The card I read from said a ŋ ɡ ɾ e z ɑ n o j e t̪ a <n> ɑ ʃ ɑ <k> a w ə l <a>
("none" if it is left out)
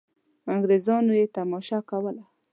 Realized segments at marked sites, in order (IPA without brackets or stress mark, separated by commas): m, k, a